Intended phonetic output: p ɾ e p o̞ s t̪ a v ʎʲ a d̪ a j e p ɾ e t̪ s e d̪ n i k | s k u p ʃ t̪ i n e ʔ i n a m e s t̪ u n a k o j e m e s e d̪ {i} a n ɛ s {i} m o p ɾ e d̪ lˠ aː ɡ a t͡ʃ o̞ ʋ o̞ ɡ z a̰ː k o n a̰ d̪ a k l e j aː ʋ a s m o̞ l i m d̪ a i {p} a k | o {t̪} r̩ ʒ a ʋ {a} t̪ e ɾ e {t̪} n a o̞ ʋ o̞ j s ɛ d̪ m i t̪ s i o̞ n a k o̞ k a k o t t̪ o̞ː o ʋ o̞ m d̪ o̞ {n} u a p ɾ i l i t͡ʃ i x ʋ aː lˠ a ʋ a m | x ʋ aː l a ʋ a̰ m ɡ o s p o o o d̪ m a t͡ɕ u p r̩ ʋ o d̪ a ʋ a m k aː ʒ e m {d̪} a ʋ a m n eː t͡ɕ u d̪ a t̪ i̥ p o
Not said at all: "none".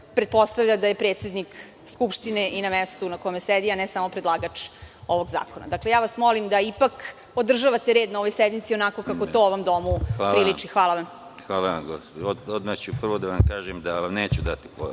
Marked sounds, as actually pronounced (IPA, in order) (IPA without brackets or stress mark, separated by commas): i, a, p, d̪, a, d̪, m, d̪